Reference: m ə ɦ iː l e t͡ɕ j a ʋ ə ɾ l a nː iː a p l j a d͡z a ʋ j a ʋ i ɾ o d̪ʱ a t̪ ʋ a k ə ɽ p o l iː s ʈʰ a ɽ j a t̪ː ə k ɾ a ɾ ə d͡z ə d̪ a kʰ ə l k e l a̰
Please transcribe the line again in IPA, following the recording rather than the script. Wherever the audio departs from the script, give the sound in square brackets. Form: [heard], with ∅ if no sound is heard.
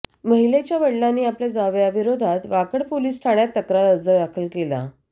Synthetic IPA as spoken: m ə ɦ [i] l e t͡ɕ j a ʋ ə [ɽ] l a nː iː a p l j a d͡z a ʋ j a ʋ i ɾ o d̪ʱ a t̪ ʋ a k ə ɽ p o l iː s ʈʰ a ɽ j a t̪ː ə k ɾ a ɾ ə d͡z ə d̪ a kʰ ə l k e l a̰